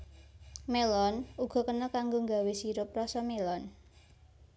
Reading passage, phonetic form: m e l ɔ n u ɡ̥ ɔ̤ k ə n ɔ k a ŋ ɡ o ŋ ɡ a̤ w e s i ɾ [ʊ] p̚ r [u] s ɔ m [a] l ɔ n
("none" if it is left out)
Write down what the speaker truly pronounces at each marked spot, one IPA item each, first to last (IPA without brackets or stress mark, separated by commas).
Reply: ʊ, ɔ, e